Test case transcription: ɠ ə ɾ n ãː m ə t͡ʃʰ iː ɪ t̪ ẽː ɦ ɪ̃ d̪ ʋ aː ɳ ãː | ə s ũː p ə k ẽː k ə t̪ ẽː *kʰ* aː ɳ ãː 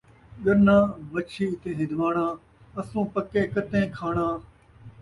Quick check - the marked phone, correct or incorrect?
correct